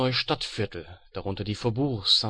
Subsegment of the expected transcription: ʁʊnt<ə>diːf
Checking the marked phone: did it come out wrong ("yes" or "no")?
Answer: yes